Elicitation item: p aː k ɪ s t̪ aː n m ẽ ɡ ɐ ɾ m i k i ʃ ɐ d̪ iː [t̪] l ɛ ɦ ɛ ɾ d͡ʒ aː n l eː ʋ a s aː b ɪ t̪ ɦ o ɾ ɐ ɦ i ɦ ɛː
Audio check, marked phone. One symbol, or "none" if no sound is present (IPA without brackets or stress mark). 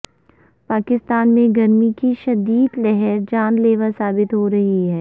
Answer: d̪